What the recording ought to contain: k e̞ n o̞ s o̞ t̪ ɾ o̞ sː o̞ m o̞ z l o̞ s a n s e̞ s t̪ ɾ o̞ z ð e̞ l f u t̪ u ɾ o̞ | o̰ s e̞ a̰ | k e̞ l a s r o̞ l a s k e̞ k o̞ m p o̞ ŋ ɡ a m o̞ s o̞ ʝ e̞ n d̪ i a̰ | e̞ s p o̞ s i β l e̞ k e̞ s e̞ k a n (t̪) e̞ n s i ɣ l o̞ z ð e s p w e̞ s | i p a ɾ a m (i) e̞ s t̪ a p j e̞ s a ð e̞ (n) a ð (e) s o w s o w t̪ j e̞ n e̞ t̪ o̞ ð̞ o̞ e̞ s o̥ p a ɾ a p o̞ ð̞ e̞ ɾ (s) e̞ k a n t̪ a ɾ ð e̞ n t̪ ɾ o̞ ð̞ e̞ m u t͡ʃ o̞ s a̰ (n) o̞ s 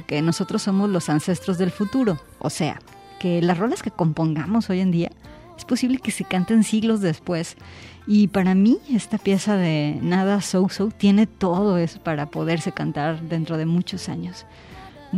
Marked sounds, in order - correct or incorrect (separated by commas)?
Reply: correct, correct, correct, incorrect, correct, incorrect